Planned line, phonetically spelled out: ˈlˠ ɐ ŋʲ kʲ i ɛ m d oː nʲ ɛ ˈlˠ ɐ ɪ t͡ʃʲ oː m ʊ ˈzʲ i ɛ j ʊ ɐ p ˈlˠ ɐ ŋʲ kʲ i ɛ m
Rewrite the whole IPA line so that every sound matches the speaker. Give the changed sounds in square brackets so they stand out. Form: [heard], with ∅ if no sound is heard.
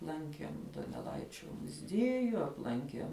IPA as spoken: ˈlˠ ɐ ŋʲ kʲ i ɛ m d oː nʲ ɛ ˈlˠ ɐ ɪ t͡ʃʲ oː m ʊ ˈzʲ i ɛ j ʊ ɐ p ˈlˠ ɐ ŋʲ kʲ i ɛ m

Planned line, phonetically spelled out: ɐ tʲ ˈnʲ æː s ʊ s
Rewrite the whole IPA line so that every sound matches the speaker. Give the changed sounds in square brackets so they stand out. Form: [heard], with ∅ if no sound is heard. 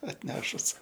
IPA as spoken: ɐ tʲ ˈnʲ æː [ʃ] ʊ s

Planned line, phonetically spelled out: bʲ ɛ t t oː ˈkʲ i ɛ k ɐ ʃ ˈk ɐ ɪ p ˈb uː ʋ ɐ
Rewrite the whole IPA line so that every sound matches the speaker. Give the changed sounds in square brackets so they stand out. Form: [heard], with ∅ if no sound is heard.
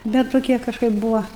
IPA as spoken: bʲ ɛ t t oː ˈkʲ i ɛ k ɐ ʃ ˈk ɐ ɪ p ˈb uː ʋ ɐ

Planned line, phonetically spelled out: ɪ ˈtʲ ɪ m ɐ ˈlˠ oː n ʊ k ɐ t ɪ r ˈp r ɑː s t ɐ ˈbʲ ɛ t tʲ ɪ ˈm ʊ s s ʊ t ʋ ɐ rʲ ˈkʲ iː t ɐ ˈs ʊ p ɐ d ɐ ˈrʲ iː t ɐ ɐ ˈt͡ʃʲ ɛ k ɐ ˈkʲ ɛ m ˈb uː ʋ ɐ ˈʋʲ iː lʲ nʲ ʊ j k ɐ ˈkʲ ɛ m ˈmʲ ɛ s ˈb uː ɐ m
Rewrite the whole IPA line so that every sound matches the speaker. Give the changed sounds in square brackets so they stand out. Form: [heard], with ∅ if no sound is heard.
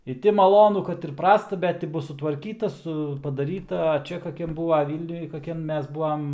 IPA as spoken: ɪ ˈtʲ ɪ m ɐ ˈlˠ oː n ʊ k ɐ t ɪ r ˈp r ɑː s t ɐ ˈbʲ ɛ t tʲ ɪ [ˈb] ʊ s s ʊ t ʋ ɐ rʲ ˈkʲ iː t ɐ ˈs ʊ p ɐ d ɐ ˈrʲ iː t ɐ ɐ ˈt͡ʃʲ ɛ k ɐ ˈkʲ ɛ m ˈb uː ʋ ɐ ˈʋʲ iː lʲ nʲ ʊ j k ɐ ˈkʲ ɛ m ˈmʲ ɛ s ˈb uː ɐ m

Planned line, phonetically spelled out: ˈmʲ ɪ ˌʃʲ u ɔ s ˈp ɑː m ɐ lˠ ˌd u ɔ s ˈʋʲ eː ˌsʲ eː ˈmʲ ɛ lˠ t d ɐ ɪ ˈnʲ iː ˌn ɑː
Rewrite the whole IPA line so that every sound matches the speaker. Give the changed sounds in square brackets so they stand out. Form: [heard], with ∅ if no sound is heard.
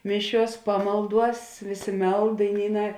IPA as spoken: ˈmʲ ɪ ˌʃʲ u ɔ s ˈp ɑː m ɐ lˠ ˌd u ɔ s ˈʋʲ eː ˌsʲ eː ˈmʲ ɛ lˠ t d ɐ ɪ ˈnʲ iː ˌn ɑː

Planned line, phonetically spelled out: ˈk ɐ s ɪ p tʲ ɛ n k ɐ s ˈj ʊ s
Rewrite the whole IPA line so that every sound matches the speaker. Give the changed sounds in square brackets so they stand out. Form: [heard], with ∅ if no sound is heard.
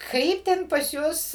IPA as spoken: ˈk ɐ [∅] ɪ p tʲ ɛ n [p] ɐ s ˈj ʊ s

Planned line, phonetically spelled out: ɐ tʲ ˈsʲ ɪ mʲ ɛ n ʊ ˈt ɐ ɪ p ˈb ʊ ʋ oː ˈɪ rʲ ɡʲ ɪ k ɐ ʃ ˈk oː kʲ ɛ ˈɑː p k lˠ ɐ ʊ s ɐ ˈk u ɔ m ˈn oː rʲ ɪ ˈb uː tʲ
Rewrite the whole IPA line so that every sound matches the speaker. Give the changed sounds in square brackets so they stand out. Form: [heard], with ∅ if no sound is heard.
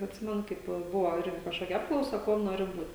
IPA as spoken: ɐ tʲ ˈsʲ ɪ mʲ ɛ n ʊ [ˈk] ɐ ɪ p ˈb ʊ ʋ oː ˈɪ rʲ ɡʲ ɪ k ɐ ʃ ˈk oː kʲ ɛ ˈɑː p k lˠ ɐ ʊ s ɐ ˈk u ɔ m ˈn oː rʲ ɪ ˈb uː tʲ

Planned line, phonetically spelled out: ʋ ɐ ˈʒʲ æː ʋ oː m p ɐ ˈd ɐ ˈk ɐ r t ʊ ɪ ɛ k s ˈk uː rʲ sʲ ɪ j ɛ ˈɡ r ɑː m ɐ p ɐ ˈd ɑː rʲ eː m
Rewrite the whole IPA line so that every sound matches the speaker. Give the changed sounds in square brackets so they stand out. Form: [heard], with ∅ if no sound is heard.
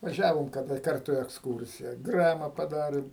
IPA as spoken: ʋ ɐ ˈʒʲ æː ʋ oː m [k] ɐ ˈd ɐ ˈk ɐ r t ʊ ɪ ɛ k s ˈk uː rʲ sʲ ɪ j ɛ ˈɡ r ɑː m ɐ p ɐ ˈd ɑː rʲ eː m

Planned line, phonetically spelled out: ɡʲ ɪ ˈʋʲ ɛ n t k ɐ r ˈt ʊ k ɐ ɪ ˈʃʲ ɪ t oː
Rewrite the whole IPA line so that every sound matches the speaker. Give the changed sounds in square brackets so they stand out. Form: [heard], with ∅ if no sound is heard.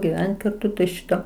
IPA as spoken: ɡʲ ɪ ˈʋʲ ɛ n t k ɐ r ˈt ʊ [t] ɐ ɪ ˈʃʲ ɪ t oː

